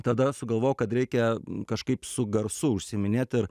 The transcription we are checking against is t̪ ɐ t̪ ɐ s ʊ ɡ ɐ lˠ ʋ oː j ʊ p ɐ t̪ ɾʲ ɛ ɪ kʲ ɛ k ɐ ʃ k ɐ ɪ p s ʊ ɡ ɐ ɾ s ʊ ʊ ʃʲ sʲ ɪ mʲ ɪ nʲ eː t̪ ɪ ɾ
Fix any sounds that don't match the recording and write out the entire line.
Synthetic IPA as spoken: t̪ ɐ d̪ ɐ s ʊ ɡ ɐ lˠ ʋ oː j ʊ k ɐ t̪ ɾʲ ɛ ɪ kʲ ɛ k ɐ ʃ k ɐ ɪ p s ʊ ɡ ɐ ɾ s ʊ ʊ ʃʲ sʲ ɪ mʲ ɪ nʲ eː t̪ ɪ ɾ